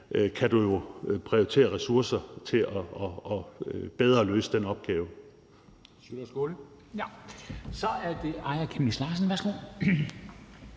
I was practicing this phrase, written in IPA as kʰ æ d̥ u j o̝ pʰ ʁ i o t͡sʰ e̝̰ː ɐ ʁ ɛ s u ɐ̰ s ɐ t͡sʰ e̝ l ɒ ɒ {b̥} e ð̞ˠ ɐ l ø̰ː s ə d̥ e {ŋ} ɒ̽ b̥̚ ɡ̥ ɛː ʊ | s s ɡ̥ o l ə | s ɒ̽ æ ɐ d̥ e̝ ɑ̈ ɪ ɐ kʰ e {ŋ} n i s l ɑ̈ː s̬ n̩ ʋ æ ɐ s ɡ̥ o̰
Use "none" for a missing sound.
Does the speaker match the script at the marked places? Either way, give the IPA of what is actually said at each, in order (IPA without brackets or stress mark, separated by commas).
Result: b̥, n, m